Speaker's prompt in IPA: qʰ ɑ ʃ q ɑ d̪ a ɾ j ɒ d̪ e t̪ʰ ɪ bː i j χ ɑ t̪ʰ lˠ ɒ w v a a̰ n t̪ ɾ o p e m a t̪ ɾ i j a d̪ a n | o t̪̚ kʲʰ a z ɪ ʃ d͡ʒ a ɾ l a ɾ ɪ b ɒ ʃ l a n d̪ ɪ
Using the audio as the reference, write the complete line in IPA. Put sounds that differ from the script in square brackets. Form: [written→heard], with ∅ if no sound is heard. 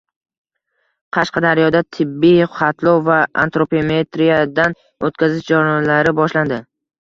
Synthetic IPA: qʰ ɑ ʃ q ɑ d̪ a ɾ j ɒ d̪ [e→a] t̪ʰ ɪ bː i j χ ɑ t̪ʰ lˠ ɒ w v a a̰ n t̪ ɾ o p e m [a→e] t̪ ɾ i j a d̪ a n | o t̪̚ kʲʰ a z ɪ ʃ d͡ʒ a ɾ l a ɾ ɪ b ɒ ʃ l a n d̪ ɪ